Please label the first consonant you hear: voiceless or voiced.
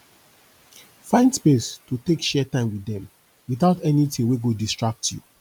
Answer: voiceless